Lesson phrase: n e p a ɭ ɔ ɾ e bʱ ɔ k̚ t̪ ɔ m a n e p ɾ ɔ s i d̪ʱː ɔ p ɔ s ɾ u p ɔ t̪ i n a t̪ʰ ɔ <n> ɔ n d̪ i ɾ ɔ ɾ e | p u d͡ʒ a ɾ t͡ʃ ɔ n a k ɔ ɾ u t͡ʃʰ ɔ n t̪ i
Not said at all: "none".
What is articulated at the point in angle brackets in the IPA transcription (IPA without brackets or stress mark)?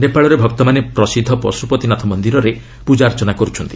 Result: m